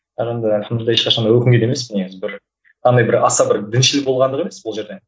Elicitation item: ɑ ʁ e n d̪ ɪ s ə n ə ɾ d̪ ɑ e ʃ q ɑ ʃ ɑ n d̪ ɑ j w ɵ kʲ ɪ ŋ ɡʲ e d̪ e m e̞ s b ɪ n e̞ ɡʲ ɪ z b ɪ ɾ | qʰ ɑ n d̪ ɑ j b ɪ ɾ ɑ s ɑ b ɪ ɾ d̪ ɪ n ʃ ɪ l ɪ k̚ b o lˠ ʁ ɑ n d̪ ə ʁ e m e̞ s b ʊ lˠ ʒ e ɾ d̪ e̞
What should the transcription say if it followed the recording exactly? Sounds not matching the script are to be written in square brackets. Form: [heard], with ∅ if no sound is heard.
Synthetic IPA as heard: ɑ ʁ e n d̪ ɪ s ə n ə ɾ d̪ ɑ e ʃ q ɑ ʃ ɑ n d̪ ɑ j w ɵ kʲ ɪ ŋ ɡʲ e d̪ e m e̞ s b ɪ n e̞ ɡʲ ɪ z b ɪ ɾ | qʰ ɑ n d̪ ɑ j b ɪ ɾ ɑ s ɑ b ɪ ɾ d̪ ɪ n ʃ ɪ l ɪ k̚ b o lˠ ʁ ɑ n d̪ ə ʁ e m e̞ s b ʊ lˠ ʒ e ɾ d̪ e̞